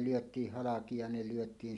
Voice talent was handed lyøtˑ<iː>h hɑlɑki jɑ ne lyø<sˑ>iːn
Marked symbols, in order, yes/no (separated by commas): yes, no